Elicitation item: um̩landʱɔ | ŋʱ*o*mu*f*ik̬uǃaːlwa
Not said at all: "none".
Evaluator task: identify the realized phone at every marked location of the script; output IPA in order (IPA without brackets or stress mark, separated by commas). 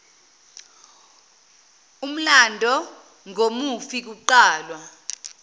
o, f